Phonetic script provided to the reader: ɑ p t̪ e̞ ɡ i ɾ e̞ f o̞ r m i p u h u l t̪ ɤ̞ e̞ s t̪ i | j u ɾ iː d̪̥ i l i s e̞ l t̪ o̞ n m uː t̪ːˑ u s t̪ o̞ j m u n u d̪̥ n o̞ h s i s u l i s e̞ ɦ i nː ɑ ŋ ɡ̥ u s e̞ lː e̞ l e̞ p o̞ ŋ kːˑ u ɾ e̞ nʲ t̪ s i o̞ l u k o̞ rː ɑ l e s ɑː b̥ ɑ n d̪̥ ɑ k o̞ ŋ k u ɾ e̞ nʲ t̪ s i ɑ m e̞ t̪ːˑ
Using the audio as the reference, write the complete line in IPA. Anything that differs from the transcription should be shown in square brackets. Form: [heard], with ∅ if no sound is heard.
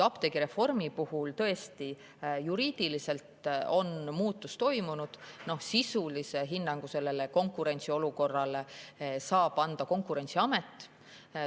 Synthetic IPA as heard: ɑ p t̪ e̞ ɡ i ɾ e̞ f o̞ r m i p u h u l t̪ ɤ̞ e̞ s t̪ i | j u ɾ iː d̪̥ i l i s e̞ l t̪ o̞ n m uː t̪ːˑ u s t̪ o̞ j m u n u d̪̥ n o̞ h s i s u l i s e̞ ɦ i nː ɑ ŋ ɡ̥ u s e̞ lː e̞ l e̞ [k] o̞ ŋ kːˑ u ɾ e̞ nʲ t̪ s i o̞ l u k o̞ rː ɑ l e s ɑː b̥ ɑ n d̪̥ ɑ k o̞ ŋ k u ɾ e̞ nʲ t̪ s i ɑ m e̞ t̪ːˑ